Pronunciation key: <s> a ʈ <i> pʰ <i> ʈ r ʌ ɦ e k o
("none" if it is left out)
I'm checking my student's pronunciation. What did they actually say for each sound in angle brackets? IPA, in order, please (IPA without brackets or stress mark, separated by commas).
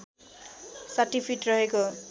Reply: s, i, i